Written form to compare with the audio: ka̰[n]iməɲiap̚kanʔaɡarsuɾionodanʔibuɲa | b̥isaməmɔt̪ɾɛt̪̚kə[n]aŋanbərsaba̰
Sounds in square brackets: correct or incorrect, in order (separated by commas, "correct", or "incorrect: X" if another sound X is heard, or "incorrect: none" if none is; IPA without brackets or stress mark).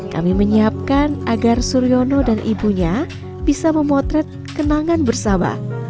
incorrect: m, correct